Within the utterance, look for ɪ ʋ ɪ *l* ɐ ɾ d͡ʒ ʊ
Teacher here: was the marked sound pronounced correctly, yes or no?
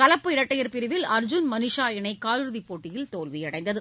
yes